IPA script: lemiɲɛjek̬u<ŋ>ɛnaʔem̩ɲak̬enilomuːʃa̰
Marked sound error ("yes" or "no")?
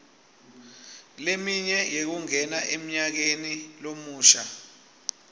no